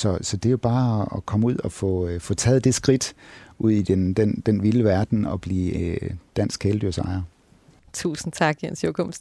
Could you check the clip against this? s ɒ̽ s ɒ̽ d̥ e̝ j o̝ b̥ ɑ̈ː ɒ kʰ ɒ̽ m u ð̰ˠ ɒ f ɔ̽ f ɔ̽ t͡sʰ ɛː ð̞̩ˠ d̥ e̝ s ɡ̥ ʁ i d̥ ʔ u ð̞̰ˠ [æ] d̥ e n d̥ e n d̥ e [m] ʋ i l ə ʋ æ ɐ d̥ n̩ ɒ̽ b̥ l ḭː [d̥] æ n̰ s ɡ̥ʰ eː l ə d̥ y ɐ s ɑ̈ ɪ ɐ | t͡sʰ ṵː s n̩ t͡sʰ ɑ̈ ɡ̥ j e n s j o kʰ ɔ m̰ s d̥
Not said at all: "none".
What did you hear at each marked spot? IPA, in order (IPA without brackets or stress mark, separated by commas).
i, n, d̥